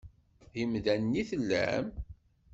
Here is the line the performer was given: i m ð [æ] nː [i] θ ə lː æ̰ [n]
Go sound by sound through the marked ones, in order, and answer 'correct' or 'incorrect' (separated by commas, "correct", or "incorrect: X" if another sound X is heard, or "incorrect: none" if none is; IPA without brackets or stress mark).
correct, correct, incorrect: m